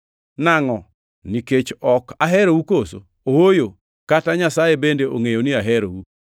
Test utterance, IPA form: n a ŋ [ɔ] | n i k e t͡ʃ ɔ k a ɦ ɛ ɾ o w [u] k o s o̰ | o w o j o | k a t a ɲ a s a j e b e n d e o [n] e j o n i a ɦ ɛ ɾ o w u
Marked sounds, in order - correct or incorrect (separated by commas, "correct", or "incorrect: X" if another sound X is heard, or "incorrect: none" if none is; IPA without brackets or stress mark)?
correct, correct, incorrect: ŋ